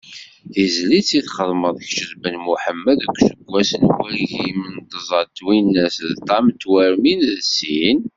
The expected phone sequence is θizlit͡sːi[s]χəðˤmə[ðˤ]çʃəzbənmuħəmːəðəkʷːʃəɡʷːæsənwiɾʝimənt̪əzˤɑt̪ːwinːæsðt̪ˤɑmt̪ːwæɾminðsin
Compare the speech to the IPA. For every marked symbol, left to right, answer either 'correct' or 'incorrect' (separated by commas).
incorrect, correct